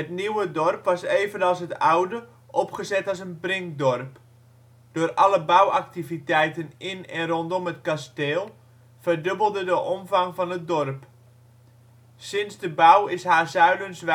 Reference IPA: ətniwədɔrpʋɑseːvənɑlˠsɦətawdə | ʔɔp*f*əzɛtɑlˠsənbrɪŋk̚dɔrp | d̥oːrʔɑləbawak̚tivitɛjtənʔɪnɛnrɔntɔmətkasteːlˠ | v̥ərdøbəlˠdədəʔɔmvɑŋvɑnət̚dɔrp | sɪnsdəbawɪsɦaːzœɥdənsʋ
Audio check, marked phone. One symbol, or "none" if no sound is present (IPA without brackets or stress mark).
χ